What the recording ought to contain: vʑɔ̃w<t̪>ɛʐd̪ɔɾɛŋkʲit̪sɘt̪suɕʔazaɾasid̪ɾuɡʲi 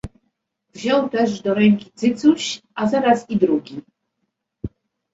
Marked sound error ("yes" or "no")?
no